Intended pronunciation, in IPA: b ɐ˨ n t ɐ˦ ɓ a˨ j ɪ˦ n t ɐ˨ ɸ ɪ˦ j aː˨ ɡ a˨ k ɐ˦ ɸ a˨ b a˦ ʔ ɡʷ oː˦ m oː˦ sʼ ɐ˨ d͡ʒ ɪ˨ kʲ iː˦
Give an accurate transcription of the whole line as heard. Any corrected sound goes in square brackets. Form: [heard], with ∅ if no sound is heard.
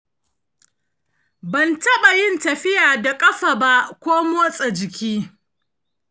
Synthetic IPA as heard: b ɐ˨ n t ɐ˦ ɓ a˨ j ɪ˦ n t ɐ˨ ɸ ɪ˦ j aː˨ [d] a˨ [kʼ] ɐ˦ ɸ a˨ b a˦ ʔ [kʷ] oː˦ m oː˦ sʼ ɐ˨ d͡ʒ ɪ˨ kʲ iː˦